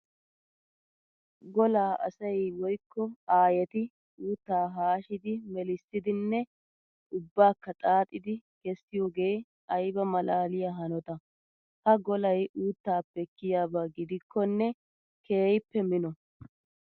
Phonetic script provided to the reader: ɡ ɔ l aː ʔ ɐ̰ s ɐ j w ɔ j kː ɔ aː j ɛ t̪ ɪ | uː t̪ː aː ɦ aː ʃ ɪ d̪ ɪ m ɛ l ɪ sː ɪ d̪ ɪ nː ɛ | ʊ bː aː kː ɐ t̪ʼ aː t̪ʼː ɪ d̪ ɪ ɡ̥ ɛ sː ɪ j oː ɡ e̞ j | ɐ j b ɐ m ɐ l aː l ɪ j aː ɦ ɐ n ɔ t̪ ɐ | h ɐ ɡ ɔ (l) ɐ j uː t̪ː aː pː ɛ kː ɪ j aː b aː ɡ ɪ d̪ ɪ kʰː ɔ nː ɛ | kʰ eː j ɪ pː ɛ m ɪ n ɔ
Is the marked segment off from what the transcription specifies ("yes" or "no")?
no